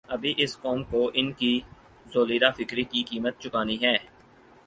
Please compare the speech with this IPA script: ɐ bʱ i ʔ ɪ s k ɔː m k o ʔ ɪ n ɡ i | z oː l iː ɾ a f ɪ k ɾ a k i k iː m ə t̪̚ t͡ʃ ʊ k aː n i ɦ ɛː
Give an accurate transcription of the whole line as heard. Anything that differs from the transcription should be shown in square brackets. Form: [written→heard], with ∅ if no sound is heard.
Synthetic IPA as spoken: ɐ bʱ i ʔ ɪ s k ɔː m k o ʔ ɪ n [ɡ→k] i | z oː l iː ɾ a f ɪ k ɾ [a→i] k i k iː m ə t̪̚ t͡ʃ ʊ k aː n i ɦ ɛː